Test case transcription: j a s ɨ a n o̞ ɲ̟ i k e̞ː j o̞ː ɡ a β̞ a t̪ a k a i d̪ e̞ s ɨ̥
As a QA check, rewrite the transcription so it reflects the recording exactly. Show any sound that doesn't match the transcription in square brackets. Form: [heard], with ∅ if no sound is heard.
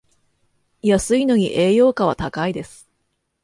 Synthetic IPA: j a s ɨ [i] n o̞ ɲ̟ i [ʔ] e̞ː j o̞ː [k] a β̞ a t̪ a k a i d̪ e̞ s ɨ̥